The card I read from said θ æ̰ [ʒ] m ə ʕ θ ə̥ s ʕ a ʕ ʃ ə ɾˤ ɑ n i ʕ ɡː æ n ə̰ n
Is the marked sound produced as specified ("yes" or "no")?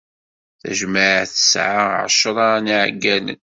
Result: yes